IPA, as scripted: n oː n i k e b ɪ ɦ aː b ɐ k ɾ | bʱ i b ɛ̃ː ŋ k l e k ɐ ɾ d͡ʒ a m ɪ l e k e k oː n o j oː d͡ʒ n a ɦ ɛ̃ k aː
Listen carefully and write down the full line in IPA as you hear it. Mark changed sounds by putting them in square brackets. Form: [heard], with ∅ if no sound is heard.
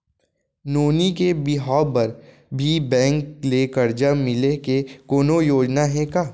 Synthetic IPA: n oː n i k e b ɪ ɦ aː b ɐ [∅] ɾ | bʱ i b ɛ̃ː ŋ k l e k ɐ ɾ d͡ʒ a m ɪ l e k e k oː n o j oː d͡ʒ n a ɦ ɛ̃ k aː